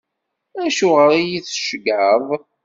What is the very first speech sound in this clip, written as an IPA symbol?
æ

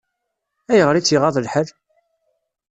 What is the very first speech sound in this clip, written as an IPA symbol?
æ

